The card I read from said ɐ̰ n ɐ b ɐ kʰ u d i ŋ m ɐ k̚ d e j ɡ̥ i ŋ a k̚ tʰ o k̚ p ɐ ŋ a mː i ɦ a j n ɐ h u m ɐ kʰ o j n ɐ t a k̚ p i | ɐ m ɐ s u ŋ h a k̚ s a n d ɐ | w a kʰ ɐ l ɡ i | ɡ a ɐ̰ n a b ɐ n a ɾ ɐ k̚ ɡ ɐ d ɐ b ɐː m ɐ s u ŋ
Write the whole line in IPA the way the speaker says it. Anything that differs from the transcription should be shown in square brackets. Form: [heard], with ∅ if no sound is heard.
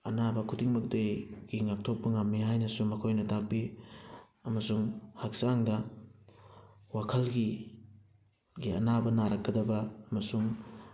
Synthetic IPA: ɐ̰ n [a] b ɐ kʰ u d i ŋ m ɐ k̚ d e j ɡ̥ i ŋ a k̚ tʰ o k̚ p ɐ ŋ a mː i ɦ a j n ɐ [s] u m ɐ kʰ o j n ɐ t a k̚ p i | ɐ m ɐ s u ŋ h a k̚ s a [ŋ] d ɐ | w a kʰ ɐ l ɡ i | ɡ [i] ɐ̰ n a b ɐ n a ɾ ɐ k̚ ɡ ɐ d ɐ b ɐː m ɐ s u ŋ